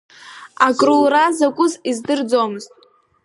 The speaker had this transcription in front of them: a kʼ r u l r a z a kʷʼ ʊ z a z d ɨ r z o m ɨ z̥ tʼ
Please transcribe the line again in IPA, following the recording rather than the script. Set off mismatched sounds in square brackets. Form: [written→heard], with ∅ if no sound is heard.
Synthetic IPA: a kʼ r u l r a z a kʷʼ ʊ z [a→i] z d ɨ r [z→d͡z] o m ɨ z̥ tʼ